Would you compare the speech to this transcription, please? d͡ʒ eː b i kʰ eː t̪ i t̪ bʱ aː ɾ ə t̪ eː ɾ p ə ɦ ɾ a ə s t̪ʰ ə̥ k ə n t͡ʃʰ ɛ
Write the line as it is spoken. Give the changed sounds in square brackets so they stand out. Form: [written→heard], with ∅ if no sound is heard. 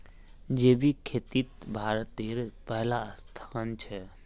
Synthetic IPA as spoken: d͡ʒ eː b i kʰ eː t̪ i t̪ bʱ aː ɾ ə t̪ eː ɾ p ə ɦ [ɾ→l] a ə s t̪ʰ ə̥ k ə n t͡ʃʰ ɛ